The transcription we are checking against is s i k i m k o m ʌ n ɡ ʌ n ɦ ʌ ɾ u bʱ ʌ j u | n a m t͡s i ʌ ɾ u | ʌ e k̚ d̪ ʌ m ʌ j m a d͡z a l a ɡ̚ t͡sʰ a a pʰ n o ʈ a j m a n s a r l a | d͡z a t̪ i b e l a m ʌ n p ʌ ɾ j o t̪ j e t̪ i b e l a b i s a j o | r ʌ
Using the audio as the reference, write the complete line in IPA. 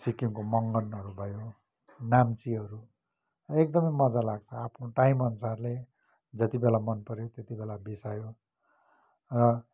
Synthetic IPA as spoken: s i k i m k o m ʌ ŋ ɡ ʌ n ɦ ʌ ɾ u bʱ ʌ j o | n a m t͡s i ʌ ɾ u | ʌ e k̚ d̪ ʌ m ʌ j m ʌ d͡z a l a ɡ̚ t͡sʰ ʌ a pʰ n o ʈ a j m ʌ n s a r l e | d͡z ʌ t̪ i b e l a m ʌ n p ʌ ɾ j o t̪ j e t̪ i b e l a b i s a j o | r ʌ